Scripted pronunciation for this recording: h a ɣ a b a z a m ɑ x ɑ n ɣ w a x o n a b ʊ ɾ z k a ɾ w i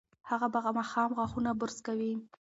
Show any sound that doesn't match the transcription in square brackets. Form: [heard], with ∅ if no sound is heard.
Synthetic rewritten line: h a ɣ a b a [ɣ] a m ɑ x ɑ [m] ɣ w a x [u] n a b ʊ ɾ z k a [∅] w i